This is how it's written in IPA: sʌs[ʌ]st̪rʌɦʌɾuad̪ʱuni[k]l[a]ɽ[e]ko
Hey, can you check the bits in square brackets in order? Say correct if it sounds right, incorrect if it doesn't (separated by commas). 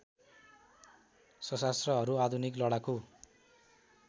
incorrect, correct, incorrect, incorrect